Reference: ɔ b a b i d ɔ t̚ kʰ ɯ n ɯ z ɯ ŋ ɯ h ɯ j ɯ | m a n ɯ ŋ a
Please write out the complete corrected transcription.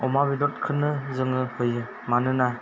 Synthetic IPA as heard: ɔ m a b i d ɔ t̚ kʰ ɯ n ɯ z ɯ ŋ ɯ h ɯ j ɯ | m a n ɯ n a